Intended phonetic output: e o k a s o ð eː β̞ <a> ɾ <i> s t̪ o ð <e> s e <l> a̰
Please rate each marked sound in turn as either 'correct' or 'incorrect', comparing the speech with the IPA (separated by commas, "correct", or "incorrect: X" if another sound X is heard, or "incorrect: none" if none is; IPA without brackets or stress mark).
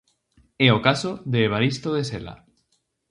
correct, correct, correct, correct